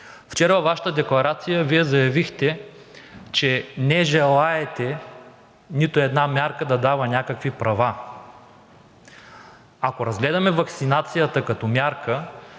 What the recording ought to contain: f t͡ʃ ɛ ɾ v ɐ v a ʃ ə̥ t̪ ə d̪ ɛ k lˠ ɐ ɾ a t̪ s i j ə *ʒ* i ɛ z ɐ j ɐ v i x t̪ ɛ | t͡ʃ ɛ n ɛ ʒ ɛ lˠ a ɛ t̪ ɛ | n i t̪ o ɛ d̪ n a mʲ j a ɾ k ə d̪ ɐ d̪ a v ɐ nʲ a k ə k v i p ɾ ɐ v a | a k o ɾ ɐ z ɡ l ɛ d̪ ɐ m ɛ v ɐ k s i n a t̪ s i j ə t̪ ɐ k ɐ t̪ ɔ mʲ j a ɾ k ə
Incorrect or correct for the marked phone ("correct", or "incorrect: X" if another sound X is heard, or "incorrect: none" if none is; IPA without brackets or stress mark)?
incorrect: v